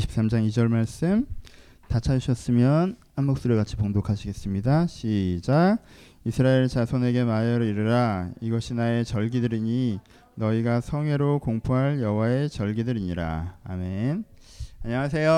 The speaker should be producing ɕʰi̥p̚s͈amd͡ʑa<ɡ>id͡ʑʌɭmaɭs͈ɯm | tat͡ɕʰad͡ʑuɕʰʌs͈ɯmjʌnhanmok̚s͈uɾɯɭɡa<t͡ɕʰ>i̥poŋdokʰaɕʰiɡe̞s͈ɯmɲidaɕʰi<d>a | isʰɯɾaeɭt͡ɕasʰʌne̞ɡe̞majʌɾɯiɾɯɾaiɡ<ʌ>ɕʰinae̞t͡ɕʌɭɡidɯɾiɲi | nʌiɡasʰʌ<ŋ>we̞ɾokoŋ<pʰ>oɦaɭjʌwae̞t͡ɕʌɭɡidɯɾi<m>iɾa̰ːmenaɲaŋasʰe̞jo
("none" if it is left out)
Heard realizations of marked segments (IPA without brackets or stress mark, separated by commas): ŋ, t͡ɕʰ, d͡ʑ, ʌ, ŋ, pʰ, ɲ